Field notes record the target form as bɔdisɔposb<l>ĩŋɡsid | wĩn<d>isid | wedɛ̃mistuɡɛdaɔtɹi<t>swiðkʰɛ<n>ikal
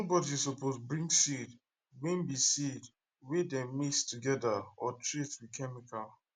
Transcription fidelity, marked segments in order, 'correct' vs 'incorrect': incorrect, incorrect, correct, incorrect

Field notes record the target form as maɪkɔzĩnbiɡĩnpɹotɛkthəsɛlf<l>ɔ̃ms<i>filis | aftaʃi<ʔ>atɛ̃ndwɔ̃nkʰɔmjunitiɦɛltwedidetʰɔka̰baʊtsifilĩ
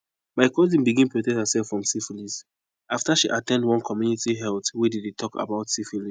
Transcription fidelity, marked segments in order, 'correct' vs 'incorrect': incorrect, correct, correct

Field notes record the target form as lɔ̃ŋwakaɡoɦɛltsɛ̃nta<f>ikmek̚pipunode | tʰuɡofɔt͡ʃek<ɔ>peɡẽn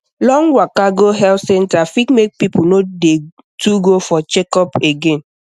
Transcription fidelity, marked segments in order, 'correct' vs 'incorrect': correct, correct

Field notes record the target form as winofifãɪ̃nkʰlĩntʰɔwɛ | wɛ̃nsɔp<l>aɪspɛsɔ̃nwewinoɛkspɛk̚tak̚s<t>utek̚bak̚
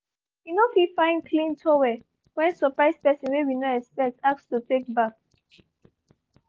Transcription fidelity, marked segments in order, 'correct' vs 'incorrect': incorrect, correct

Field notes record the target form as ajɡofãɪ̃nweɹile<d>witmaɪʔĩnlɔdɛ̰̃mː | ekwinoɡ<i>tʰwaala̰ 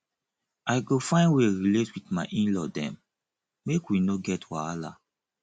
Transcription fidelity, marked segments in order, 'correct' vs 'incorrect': incorrect, incorrect

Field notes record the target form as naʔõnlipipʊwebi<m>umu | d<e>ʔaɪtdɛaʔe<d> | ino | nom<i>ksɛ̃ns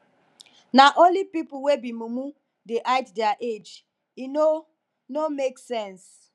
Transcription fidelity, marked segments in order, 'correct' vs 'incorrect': correct, correct, incorrect, incorrect

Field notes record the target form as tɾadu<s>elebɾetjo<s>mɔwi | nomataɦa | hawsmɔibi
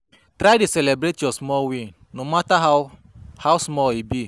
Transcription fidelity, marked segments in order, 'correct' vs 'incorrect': correct, correct

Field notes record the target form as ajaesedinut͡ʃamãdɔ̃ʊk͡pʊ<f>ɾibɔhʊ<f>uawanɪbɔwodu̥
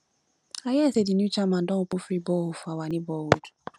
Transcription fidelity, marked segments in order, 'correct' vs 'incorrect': correct, correct

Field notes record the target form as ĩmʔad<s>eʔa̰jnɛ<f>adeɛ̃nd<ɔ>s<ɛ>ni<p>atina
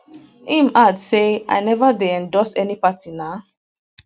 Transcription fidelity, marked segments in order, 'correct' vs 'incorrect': correct, incorrect, correct, correct, correct

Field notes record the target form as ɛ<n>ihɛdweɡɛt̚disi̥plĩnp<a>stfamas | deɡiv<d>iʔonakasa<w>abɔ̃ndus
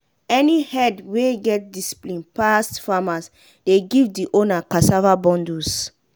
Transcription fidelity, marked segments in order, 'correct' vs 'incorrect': correct, correct, correct, incorrect

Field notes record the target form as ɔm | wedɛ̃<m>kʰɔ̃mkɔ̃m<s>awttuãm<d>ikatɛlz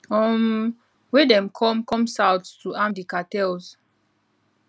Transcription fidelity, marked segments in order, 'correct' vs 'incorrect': correct, correct, correct

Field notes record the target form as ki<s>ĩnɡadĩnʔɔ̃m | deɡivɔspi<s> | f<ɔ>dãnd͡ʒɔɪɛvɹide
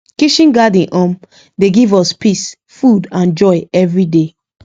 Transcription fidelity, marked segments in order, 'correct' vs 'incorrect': incorrect, correct, incorrect

